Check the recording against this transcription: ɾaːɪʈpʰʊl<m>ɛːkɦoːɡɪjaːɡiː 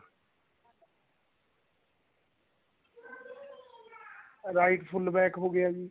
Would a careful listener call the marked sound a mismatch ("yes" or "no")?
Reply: yes